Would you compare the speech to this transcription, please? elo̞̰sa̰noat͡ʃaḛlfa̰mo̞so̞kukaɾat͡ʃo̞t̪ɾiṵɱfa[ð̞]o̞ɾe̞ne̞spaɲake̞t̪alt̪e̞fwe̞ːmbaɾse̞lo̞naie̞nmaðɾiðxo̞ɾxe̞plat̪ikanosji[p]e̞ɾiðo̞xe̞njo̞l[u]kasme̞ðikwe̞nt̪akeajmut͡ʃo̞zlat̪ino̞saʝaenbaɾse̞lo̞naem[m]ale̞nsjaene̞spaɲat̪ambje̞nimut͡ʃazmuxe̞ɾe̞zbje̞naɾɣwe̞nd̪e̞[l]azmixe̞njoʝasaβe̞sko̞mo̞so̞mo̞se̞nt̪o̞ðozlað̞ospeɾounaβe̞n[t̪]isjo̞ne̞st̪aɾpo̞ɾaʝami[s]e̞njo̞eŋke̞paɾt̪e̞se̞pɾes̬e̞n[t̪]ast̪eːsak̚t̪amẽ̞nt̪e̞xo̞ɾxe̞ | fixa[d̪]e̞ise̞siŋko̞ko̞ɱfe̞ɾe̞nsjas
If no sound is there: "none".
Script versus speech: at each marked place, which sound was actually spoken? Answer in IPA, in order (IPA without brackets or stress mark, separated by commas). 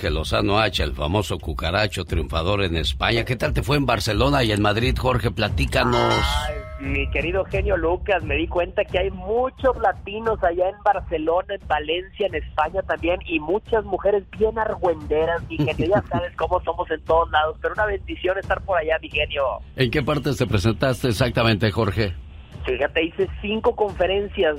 ð̞, k, u, b, ɾ, d̪, x, t̪, t̪